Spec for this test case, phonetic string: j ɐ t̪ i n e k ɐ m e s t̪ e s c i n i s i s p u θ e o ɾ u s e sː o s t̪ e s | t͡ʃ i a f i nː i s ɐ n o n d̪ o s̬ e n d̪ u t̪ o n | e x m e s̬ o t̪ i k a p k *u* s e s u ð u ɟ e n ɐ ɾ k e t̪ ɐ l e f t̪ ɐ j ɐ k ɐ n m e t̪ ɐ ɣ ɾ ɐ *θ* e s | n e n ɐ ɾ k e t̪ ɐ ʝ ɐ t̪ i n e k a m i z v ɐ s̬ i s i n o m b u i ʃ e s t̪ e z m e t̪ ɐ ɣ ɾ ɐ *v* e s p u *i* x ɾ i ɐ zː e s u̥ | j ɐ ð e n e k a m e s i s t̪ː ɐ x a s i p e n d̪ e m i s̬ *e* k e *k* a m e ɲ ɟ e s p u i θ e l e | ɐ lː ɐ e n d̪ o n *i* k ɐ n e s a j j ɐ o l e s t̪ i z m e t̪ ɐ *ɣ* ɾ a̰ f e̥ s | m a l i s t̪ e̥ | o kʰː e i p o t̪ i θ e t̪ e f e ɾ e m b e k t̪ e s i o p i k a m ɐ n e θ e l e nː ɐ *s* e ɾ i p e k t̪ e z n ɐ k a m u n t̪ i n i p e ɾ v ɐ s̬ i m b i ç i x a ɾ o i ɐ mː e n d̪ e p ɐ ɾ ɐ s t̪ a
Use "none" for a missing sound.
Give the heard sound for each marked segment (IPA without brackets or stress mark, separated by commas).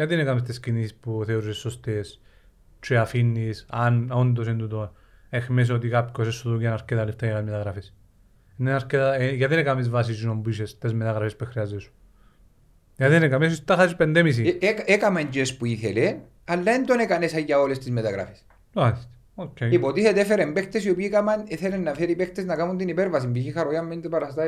o, f, f, e, i, k, e, ɣ, f